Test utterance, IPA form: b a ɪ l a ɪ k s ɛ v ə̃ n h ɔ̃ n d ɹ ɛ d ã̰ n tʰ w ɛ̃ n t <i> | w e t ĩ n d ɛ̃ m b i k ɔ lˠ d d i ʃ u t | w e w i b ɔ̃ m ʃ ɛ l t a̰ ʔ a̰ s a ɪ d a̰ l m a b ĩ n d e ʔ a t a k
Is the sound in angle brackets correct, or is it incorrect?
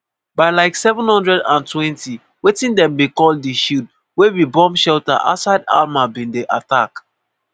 correct